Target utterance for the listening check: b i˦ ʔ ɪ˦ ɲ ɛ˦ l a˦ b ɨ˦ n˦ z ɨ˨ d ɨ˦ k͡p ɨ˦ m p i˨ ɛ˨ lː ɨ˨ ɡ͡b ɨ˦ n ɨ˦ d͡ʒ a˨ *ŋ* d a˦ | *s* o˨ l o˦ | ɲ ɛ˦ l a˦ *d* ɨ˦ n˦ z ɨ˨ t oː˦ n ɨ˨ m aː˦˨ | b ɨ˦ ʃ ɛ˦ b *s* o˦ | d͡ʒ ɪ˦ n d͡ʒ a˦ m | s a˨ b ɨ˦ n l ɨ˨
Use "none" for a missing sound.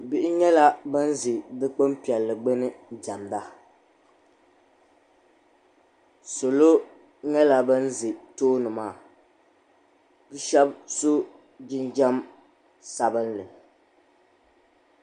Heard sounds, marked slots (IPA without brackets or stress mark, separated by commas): m, s, b, s